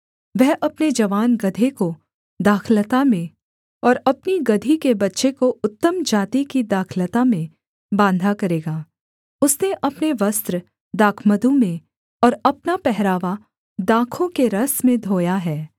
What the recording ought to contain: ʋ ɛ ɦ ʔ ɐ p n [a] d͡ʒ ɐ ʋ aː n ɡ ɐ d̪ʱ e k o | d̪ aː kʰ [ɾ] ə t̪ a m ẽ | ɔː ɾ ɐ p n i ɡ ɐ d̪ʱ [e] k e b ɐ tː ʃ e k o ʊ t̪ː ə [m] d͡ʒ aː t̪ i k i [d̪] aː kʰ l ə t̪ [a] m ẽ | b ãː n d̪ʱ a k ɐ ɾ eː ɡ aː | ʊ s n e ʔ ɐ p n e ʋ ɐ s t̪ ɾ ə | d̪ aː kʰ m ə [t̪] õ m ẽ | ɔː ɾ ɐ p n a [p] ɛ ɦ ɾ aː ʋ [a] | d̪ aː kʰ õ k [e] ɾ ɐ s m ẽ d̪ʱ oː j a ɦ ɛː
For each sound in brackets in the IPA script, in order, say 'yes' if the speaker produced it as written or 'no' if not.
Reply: no, no, no, yes, yes, yes, no, yes, yes, yes

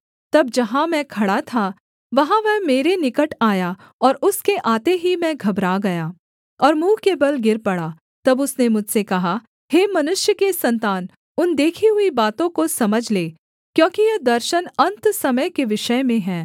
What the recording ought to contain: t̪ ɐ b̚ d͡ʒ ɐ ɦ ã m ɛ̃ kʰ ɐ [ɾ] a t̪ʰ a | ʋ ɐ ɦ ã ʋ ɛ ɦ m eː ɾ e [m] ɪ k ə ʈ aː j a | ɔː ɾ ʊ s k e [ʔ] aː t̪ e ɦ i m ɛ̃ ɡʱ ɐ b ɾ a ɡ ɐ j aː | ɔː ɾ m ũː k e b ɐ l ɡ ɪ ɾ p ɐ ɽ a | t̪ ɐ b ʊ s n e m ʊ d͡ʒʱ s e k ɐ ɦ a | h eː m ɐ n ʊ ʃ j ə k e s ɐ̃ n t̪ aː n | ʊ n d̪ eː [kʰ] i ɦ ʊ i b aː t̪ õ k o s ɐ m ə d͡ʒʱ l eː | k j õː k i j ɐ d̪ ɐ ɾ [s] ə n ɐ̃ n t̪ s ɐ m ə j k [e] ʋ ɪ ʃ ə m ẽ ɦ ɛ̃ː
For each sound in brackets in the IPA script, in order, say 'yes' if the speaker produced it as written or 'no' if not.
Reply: no, no, yes, yes, no, yes

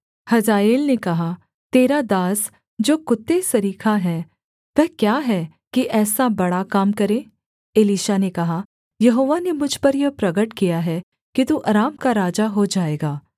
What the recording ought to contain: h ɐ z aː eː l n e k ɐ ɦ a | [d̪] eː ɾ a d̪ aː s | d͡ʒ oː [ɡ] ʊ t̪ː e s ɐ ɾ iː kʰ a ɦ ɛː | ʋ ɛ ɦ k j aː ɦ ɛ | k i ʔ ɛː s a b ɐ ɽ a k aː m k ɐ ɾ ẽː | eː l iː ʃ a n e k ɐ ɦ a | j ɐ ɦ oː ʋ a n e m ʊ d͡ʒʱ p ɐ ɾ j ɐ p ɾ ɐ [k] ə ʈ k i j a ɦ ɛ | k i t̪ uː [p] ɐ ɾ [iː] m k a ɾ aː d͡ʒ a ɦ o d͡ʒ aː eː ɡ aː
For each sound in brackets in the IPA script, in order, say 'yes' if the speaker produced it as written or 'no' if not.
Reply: no, no, no, no, no

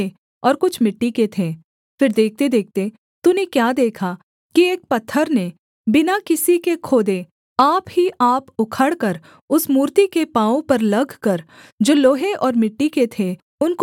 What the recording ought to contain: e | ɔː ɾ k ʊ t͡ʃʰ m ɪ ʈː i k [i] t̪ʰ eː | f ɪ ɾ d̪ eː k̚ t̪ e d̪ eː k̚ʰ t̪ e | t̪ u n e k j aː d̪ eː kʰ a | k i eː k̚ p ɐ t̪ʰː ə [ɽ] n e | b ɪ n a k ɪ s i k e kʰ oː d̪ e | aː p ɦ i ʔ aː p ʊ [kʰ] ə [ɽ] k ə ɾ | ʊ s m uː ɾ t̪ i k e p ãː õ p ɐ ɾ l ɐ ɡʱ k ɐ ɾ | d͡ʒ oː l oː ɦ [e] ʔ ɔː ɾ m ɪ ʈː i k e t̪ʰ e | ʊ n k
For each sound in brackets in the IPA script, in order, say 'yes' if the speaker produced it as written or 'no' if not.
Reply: no, no, yes, yes, yes

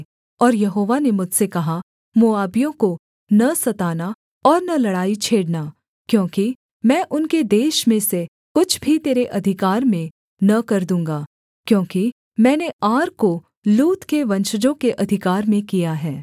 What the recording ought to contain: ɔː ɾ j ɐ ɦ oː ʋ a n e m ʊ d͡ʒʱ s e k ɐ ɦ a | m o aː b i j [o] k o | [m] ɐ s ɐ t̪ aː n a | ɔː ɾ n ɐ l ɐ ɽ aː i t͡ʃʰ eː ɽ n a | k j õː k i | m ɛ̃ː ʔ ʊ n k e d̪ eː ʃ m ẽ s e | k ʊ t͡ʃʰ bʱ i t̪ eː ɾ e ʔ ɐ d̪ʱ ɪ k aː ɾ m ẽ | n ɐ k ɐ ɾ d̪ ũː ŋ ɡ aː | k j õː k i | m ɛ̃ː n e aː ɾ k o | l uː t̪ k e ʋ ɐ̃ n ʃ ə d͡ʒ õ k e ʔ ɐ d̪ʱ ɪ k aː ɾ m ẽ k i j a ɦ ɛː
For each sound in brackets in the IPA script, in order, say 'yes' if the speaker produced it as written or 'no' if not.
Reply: no, no

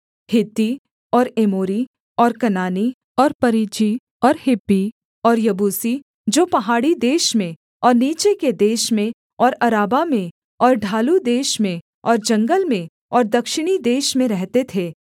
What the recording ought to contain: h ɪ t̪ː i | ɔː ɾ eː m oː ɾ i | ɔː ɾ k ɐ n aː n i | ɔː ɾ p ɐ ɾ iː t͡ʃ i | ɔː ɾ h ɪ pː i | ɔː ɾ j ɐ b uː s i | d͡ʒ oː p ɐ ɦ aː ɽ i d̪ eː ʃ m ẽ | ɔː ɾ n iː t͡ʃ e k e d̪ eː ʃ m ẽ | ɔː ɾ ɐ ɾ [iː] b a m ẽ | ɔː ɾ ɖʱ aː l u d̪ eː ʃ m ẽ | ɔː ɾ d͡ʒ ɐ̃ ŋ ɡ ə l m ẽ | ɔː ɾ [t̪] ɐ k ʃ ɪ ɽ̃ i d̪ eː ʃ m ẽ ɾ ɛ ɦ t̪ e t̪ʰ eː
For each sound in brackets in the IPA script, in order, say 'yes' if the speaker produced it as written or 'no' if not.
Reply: no, no

